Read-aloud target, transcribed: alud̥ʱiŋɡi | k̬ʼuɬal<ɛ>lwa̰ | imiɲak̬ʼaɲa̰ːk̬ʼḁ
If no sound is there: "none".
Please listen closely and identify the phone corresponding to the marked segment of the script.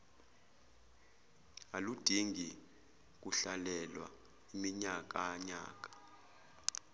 ɛ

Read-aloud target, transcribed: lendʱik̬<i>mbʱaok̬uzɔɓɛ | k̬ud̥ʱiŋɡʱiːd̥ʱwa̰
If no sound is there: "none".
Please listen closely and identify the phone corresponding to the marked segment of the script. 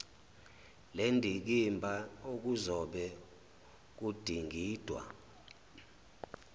i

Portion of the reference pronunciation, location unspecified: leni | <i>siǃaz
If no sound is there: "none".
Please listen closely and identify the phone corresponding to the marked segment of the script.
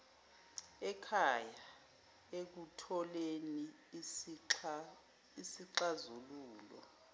i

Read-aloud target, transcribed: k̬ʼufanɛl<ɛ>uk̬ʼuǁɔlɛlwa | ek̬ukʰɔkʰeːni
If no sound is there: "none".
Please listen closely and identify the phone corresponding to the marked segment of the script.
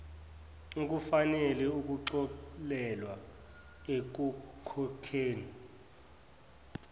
ɛ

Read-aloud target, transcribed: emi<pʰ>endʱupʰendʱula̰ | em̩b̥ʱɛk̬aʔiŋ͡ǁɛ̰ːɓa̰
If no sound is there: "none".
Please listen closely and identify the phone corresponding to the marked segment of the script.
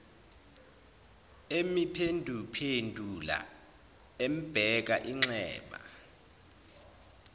pʰ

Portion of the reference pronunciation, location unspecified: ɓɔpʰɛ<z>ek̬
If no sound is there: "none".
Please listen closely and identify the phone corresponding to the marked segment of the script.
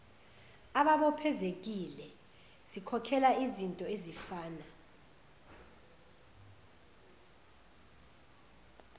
z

